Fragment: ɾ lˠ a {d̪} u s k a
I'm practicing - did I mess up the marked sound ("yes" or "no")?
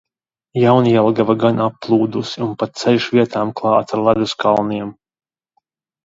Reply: no